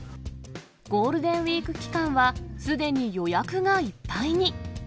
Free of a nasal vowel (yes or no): no